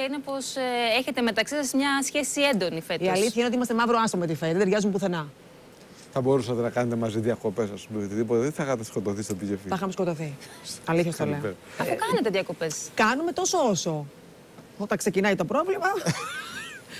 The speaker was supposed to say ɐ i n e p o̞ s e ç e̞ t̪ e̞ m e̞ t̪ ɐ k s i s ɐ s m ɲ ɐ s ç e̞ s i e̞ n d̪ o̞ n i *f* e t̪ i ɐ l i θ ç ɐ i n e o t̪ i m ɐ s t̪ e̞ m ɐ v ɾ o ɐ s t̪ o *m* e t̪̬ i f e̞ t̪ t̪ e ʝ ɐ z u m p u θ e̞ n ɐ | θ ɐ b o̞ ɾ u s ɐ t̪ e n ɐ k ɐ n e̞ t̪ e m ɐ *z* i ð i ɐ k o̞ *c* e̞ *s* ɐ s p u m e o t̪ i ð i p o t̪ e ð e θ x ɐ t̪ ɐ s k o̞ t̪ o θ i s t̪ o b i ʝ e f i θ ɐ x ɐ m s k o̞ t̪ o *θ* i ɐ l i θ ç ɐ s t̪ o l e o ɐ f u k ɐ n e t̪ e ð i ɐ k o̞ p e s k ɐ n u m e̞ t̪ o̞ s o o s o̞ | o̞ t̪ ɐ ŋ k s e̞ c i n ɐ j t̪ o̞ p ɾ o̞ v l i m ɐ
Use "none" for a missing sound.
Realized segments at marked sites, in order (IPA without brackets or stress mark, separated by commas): f, m, z, p, s, θ